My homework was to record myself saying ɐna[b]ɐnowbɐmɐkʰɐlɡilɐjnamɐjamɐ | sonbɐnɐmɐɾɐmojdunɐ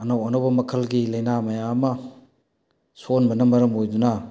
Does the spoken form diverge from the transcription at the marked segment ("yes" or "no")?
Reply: yes